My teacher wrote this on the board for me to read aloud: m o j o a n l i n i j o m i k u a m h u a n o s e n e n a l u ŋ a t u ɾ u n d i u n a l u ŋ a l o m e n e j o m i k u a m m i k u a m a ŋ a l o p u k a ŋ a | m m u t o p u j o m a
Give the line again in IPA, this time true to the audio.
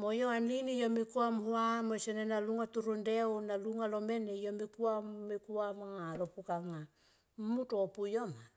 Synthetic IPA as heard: m o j o a n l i n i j o m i k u a m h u a m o s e n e n a l u ŋ a t u ɾ u n d e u n a l u ŋ a l o m e n e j o m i k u a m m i k u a m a ŋ a l o p u k a ŋ a | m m u t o p u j o m a